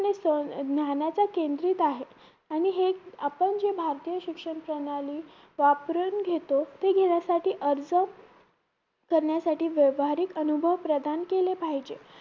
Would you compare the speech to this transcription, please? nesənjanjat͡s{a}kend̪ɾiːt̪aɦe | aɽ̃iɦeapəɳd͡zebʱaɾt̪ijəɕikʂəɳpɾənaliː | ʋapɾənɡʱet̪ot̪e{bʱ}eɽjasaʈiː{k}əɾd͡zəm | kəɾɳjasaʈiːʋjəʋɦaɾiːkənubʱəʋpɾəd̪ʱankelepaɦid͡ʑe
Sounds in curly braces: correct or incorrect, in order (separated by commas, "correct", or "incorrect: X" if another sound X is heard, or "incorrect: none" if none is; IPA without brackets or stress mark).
correct, incorrect: ɡʱ, incorrect: ʔ